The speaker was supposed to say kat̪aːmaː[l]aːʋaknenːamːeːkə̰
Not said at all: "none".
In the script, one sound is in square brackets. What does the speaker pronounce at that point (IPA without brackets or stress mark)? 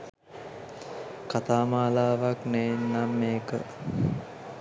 l